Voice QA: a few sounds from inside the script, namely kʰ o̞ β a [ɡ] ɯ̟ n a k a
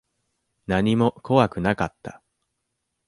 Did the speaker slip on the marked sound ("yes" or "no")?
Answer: yes